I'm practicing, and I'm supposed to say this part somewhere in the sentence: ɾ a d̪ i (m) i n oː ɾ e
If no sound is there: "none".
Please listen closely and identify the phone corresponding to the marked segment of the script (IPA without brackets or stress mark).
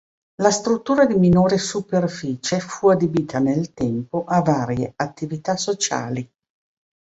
m